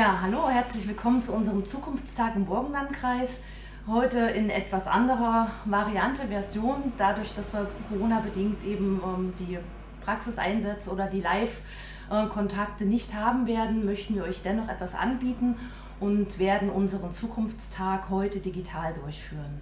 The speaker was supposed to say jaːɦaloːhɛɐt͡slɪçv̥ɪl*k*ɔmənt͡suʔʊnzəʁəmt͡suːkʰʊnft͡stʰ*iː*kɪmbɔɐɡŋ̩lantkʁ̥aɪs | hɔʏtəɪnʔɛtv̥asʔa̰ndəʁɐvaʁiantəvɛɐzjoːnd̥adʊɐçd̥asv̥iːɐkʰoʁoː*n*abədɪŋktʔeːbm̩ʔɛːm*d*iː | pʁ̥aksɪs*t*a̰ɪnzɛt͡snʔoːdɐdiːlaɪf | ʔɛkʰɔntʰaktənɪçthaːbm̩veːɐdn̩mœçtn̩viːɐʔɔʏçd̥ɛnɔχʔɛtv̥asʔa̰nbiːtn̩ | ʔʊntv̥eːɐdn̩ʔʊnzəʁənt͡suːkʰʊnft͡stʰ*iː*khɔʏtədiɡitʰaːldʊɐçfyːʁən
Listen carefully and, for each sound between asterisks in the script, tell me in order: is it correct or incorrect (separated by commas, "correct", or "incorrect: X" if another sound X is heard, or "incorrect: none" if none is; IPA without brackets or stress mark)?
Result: incorrect: kʰ, incorrect: aː, correct, correct, incorrect: ʔ, incorrect: aː